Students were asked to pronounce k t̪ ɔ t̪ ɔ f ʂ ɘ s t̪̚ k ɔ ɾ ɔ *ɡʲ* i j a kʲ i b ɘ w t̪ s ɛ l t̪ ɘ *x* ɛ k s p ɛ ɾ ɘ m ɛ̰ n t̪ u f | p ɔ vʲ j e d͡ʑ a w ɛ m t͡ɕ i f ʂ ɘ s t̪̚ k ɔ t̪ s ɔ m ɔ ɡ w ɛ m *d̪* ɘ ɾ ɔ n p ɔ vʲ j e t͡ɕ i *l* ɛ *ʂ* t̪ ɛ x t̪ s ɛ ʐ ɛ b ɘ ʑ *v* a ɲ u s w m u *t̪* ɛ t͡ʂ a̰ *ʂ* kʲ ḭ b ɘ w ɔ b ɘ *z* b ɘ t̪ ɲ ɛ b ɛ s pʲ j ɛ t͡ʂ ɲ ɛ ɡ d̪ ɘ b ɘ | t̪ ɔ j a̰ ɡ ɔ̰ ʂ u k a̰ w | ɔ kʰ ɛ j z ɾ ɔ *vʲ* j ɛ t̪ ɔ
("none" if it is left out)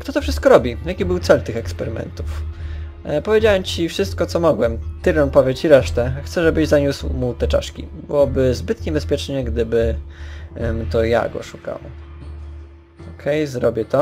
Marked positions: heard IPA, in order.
bʲ, x, t̪, ɾ, ʂ, z, t̪, ʂ, z, bʲ

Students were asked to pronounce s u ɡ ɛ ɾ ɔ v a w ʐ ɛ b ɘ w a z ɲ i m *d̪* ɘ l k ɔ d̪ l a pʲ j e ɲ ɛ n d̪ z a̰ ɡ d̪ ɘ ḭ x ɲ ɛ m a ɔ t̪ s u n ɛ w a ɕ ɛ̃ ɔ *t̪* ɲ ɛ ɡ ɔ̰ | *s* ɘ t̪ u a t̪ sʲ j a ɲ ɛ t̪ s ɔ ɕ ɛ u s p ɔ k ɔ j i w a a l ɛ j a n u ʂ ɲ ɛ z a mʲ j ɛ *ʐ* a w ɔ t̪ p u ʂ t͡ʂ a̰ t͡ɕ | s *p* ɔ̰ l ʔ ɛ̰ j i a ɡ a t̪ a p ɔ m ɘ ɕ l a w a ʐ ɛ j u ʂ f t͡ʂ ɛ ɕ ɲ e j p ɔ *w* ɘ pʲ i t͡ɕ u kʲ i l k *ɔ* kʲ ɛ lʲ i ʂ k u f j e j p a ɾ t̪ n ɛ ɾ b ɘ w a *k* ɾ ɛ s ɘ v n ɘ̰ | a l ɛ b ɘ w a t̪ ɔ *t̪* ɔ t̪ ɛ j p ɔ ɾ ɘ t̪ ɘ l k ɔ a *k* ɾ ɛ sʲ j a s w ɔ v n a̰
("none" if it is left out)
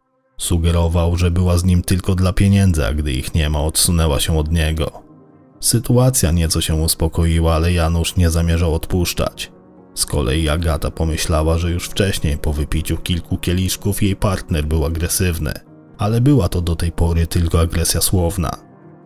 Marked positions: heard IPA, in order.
t̪, d̪, s, ʐ, k, v, u, ɡ, d̪, ɡ

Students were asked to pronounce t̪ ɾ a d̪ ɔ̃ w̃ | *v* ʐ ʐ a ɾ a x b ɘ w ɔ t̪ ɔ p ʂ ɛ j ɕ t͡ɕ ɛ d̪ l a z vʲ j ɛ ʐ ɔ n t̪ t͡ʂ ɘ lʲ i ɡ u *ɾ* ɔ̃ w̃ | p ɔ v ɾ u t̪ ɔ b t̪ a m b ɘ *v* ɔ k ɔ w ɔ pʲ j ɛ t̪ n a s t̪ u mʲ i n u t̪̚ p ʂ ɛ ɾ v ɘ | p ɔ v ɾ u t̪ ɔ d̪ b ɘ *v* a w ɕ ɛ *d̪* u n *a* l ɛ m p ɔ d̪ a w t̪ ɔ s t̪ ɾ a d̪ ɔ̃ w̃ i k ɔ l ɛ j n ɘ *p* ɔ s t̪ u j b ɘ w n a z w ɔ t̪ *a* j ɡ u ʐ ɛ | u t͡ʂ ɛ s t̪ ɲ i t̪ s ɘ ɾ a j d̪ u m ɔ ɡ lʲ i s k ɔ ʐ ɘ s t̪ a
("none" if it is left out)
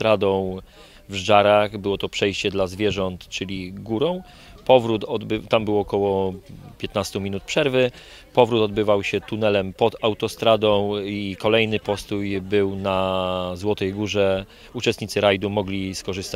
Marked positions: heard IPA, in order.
v, ɾ, w, v, t̪, ɛ, p, ɛ

